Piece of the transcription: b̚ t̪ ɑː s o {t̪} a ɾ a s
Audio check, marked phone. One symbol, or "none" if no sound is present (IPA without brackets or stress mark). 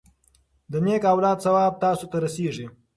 t̪